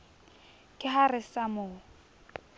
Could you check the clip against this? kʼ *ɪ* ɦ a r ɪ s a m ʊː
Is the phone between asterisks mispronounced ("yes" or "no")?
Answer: no